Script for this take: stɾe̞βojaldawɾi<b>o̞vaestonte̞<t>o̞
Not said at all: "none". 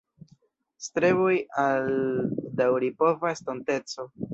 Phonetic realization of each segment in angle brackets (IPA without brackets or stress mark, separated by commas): p, t͡s